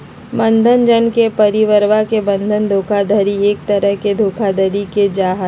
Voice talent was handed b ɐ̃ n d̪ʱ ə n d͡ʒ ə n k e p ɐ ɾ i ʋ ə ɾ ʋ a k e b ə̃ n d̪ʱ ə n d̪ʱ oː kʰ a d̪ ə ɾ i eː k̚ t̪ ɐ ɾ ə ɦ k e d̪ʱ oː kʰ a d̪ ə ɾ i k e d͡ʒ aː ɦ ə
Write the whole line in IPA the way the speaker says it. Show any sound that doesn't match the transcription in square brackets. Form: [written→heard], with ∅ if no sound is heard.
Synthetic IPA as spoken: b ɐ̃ n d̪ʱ ə n d͡ʒ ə n k e p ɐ ɾ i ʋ ə ɾ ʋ a k e b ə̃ n d̪ʱ ə n d̪ʱ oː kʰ a d̪ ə ɾ i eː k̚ t̪ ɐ ɾ ə ɦ k e d̪ʱ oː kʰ a d̪ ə ɾ i k e d͡ʒ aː ɦ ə